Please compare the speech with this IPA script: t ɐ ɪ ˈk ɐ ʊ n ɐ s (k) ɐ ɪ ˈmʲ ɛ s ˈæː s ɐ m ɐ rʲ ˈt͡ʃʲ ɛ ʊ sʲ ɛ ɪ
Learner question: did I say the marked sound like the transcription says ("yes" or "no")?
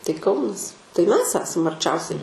no